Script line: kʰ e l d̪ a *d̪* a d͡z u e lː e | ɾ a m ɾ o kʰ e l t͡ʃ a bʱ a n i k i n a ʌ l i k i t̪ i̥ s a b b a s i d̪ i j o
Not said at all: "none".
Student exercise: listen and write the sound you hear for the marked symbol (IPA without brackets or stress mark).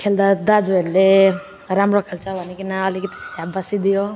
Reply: d̪